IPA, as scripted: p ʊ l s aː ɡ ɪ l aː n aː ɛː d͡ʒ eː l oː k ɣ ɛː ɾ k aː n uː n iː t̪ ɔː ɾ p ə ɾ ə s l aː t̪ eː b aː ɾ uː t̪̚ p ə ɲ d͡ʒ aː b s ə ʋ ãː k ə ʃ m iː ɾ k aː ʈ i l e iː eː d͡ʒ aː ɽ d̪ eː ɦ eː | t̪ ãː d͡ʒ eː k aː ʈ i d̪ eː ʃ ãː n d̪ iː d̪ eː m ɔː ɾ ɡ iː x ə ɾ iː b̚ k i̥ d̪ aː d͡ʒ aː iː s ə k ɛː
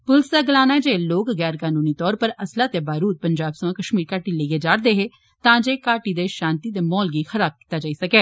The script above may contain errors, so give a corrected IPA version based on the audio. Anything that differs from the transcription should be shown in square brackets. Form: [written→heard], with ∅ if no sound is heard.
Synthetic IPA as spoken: p ʊ l s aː ɡ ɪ l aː n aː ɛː d͡ʒ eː l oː k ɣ ɛː ɾ k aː n uː n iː t̪ ɔː ɾ p ə ɾ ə s l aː t̪ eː b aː ɾ uː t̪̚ p ə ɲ d͡ʒ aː b s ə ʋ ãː k ə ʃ m iː ɾ k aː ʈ i l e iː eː d͡ʒ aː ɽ d̪ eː ɦ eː | t̪ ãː d͡ʒ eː k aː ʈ i d̪ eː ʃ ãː n [d̪→t̪] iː d̪ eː m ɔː [ɾ→l] ɡ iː x ə ɾ [iː→aː] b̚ k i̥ [d̪→t̪] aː d͡ʒ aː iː s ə k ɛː